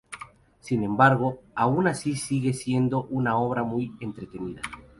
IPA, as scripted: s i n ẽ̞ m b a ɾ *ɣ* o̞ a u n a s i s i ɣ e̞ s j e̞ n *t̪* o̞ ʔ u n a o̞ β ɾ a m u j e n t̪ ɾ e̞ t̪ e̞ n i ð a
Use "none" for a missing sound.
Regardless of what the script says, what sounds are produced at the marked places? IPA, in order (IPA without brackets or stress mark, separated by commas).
ɣ, d̪